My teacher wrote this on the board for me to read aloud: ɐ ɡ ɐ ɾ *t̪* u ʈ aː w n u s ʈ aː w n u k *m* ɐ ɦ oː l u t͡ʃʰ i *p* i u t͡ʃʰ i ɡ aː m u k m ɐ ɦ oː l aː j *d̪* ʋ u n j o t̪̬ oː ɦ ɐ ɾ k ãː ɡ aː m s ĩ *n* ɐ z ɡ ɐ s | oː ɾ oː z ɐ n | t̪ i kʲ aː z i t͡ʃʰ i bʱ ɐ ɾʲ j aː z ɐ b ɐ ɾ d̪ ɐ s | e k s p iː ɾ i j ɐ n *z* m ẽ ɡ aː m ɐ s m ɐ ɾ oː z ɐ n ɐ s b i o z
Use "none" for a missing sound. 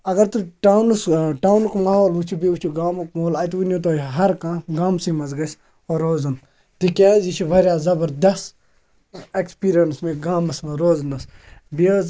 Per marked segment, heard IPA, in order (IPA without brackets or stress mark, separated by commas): t̪, m, b, t̪, m, s